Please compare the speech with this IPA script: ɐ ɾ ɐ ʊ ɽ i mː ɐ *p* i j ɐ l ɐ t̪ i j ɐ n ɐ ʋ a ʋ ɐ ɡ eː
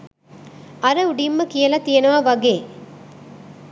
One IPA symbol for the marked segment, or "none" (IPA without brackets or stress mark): k